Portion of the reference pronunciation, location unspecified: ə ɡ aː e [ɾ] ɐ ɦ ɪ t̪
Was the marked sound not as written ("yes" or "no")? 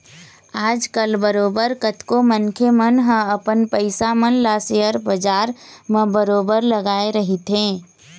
no